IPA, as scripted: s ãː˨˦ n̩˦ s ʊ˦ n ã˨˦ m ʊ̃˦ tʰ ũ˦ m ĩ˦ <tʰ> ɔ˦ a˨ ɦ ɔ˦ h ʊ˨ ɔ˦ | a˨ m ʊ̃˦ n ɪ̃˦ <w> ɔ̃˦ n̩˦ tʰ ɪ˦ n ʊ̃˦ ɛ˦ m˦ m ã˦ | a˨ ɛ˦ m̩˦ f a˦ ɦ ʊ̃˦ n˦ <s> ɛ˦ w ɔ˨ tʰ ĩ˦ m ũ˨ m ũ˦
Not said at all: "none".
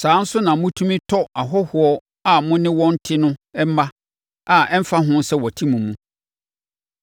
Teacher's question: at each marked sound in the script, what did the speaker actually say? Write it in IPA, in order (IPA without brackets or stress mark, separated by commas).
tʰ, w, s